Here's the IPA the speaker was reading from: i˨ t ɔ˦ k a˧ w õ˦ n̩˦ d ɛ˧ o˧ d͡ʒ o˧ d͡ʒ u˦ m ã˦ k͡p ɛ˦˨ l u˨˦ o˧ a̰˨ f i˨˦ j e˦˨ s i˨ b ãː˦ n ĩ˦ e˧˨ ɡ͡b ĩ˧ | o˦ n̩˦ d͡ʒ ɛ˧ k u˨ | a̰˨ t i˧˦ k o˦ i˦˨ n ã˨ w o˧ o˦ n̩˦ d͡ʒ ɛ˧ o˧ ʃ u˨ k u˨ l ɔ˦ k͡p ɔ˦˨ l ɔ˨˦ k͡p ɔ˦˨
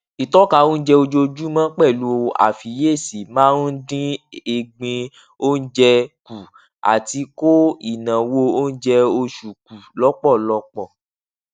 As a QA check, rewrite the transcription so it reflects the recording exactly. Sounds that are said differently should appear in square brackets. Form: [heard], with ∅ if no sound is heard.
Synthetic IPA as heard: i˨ t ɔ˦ k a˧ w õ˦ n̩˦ [d͡ʒ] ɛ˧ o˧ d͡ʒ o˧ d͡ʒ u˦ m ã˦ k͡p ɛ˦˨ l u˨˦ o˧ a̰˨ f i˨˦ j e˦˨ s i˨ [m] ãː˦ [d] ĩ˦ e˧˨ ɡ͡b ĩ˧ | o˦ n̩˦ d͡ʒ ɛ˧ k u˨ | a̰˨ t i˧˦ k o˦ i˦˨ n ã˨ w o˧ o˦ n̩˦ d͡ʒ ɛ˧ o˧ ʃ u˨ k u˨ l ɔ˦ k͡p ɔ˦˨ l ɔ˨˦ k͡p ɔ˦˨